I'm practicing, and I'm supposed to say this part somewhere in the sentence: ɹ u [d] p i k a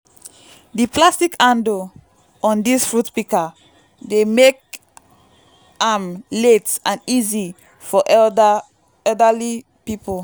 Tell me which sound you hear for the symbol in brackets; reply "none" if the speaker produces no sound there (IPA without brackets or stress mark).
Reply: t